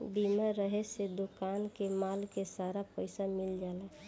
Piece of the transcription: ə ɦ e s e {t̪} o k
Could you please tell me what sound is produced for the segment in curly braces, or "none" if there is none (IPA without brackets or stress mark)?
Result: d̪